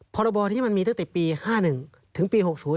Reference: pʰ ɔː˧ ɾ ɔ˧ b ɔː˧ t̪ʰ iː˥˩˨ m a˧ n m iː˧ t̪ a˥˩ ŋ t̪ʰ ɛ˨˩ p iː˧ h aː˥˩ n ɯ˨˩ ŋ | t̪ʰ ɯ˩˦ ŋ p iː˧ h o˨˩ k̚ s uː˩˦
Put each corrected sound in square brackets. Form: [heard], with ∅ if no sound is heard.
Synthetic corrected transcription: pʰ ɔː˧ ɾ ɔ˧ b ɔː˧ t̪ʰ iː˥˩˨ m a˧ n m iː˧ t̪ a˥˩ ŋ [t̪] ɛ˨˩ p iː˧ h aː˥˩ n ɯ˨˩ ŋ | t̪ʰ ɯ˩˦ ŋ p iː˧ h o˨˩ k̚ s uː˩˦